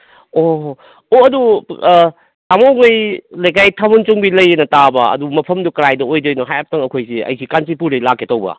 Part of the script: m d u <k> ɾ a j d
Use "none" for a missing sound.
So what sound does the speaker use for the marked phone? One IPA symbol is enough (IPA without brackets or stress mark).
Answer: k